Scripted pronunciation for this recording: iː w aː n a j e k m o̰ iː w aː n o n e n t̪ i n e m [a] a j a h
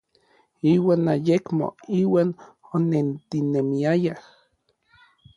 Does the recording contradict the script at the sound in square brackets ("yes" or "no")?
yes